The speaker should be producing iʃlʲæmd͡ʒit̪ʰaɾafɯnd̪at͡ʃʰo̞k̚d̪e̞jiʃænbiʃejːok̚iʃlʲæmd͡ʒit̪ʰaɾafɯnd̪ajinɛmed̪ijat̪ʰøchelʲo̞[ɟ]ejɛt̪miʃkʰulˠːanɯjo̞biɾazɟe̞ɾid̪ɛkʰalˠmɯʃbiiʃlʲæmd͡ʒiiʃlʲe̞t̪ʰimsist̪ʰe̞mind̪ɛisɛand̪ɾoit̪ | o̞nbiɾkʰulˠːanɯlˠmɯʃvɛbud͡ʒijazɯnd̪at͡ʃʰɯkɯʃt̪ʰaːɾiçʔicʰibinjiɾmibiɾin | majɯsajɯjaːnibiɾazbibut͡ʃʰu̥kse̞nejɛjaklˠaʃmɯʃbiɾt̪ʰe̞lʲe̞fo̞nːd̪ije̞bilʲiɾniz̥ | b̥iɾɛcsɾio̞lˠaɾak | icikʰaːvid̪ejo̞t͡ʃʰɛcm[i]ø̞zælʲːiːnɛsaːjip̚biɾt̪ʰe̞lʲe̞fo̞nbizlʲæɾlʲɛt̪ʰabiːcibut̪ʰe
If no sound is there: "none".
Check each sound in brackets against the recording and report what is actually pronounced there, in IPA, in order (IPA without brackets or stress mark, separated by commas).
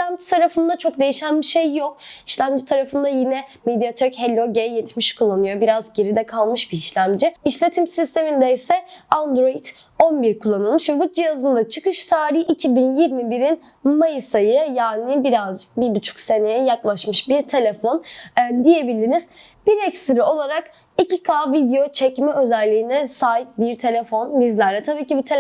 ɟ, ɛ